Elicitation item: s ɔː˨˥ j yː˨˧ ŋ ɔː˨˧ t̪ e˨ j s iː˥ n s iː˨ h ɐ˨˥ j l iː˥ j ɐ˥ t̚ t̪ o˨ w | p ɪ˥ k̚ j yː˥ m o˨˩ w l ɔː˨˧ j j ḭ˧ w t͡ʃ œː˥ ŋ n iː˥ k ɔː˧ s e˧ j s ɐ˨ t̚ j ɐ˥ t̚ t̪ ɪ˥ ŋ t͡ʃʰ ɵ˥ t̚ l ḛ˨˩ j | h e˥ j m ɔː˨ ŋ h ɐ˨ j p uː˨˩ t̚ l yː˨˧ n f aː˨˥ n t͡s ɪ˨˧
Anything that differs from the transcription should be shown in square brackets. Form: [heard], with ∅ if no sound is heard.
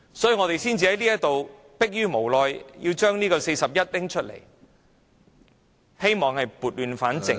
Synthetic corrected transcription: s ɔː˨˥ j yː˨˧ ŋ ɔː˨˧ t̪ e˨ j s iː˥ n [t͡s] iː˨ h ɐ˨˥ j l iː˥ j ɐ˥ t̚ t̪ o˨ w | p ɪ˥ k̚ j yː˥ m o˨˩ w l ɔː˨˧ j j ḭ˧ w t͡ʃ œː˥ ŋ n iː˥ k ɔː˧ s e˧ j s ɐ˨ [p̚] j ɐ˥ t̚ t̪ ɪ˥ ŋ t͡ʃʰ ɵ˥ t̚ l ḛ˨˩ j | h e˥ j m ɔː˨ ŋ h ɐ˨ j p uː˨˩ t̚ l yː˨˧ n f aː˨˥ n t͡s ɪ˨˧